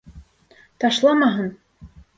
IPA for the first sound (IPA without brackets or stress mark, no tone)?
t̪